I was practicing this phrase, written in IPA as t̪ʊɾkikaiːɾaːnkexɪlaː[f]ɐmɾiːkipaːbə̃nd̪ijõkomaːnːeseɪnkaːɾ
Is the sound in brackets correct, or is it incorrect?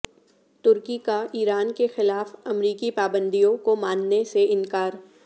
correct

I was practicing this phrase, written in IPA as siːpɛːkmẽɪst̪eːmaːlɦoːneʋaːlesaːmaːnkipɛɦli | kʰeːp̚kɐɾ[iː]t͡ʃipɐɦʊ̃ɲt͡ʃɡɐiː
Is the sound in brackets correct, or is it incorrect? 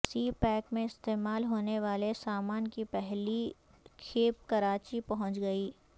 incorrect: aː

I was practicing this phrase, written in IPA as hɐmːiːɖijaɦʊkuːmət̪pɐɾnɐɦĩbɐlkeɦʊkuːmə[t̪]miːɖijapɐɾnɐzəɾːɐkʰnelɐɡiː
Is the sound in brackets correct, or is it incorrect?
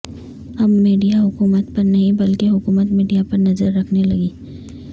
correct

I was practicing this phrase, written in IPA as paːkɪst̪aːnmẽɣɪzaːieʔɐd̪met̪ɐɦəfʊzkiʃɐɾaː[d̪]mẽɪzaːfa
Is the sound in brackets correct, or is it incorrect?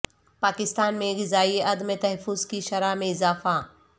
incorrect: none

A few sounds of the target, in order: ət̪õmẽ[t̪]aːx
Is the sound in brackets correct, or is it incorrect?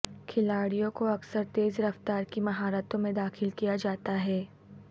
incorrect: d̪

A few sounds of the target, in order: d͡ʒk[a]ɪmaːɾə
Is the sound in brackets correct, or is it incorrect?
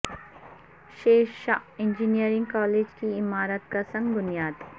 incorrect: i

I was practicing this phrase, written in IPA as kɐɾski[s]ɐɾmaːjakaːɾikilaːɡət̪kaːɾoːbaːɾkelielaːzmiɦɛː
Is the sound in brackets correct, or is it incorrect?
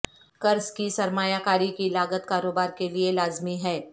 correct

